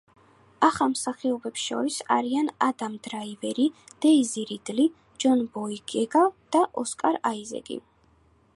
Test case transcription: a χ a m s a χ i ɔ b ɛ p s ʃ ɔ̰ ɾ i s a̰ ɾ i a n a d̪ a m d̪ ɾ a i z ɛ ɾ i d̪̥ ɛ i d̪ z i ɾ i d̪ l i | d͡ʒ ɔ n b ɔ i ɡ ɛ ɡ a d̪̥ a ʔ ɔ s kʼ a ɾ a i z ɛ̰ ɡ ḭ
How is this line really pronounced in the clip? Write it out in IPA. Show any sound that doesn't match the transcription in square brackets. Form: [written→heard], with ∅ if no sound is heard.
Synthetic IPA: a χ a m s a χ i ɔ b ɛ p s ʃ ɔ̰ ɾ i s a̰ ɾ i a n a d̪ a m d̪ ɾ a i [z→v] ɛ ɾ i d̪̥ ɛ i [d̪→∅] z i ɾ i d̪ l i | d͡ʒ ɔ n b ɔ i ɡ ɛ ɡ a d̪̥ a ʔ ɔ s kʼ a ɾ a i z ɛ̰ ɡ ḭ